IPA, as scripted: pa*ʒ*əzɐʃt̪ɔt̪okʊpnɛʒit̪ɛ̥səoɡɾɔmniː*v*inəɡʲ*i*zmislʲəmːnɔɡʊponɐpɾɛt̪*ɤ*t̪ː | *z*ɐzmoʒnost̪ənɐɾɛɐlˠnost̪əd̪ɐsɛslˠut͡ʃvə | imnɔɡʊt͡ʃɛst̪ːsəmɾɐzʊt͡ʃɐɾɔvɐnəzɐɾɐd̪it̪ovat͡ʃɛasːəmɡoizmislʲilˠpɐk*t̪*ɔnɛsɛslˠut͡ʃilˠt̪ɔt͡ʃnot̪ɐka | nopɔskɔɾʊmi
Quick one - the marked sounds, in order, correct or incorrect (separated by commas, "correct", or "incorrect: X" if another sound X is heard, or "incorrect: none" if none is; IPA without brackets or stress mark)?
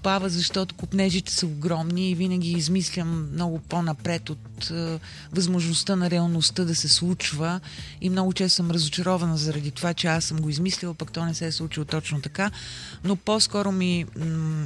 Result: incorrect: v, correct, incorrect: iː, incorrect: o, incorrect: v, correct